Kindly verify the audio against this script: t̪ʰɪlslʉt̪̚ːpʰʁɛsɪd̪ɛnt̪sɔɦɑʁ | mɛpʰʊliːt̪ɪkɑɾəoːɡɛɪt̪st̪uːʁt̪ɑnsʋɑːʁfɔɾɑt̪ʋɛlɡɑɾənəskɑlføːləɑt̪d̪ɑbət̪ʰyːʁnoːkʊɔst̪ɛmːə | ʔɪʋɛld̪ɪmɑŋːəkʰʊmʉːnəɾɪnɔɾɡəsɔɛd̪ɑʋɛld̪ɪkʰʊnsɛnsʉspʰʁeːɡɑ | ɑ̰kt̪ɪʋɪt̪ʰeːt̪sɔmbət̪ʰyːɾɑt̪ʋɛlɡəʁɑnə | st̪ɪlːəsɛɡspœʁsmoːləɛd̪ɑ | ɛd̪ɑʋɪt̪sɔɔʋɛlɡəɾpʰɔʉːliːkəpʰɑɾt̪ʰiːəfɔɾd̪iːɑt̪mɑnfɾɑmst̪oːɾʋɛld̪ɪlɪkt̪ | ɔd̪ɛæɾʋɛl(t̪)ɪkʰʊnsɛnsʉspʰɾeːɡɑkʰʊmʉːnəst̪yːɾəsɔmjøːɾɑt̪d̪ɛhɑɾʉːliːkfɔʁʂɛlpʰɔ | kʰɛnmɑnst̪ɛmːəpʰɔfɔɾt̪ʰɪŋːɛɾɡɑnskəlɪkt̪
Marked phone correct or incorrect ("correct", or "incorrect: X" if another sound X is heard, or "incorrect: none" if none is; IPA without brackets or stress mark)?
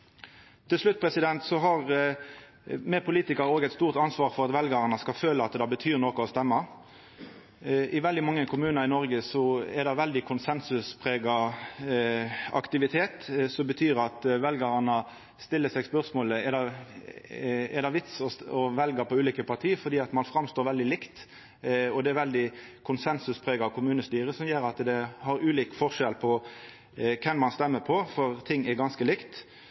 incorrect: d̪